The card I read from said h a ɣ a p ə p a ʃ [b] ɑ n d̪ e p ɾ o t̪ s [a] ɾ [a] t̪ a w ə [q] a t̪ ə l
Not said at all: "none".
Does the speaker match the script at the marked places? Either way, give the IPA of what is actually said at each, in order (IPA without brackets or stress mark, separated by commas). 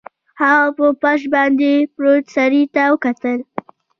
b, a, i, k